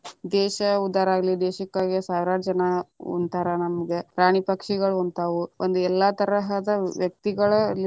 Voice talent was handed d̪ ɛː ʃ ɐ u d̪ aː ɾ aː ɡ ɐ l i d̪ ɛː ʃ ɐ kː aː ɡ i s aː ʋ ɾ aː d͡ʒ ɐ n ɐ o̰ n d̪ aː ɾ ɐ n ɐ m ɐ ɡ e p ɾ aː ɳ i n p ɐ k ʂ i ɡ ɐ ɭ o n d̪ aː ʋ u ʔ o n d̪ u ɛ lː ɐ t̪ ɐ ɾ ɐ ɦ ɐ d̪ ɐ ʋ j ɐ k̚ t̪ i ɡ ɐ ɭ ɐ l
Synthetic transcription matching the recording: d̪ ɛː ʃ ɐ u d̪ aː ɾ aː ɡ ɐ l i d̪ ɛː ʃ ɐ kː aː ɡ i s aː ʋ ɾ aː d͡ʒ ɐ n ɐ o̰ n t̪ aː ɾ ɐ n ɐ m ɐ ɡ e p ɾ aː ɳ i p ɐ k ʂ i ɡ ɐ ɭ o n t̪ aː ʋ u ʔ o n d̪ u ɛ lː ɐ t̪ ɐ ɾ ɐ ɦ ɐ d̪ ɐ ʋ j ɐ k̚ t̪ i ɡ ɐ ɭ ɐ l